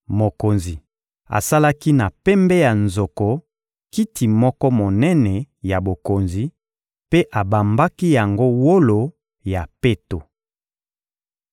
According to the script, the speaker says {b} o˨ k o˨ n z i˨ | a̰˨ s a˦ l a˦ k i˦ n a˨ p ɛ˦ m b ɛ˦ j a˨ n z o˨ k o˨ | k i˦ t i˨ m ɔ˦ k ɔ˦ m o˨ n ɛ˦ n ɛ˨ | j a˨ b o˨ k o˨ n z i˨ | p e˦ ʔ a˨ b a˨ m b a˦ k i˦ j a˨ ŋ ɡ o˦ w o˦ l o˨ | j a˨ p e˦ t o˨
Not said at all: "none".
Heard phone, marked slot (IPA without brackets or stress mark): m